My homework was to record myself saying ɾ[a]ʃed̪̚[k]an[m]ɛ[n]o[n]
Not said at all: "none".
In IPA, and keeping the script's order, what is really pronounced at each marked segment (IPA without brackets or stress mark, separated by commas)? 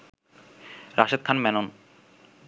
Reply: a, kʰ, m, n, n